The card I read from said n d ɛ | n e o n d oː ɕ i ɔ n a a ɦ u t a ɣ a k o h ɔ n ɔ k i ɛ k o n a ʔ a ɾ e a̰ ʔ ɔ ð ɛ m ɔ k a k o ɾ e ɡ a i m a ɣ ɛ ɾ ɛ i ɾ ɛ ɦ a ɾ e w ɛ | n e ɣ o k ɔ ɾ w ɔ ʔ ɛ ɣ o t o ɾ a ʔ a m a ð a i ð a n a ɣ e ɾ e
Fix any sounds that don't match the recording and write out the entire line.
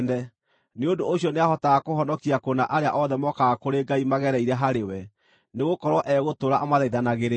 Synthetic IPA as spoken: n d ɛ | n e o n d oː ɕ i ɔ n e a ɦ ɔ t a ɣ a k o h ɔ n ɔ k i a k o n a ʔ a ɾ e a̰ ʔ ɔ ð ɛ m ɔ k a k o ɾ e ɡ a i m a ɣ ɛ ɾ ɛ i ɾ ɛ ɦ a ɾ e w ɛ | n e ɣ o k ɔ ɾ w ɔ ʔ ɛ ɣ o t o ɾ a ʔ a m a ð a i ð a n a ɣ e ɾ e